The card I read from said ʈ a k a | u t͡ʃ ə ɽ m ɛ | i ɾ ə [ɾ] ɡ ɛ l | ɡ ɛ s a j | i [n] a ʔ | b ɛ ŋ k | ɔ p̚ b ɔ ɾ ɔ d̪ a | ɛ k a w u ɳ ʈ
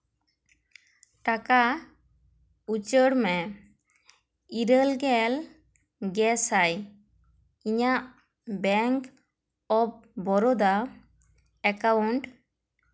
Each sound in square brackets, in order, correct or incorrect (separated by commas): incorrect, incorrect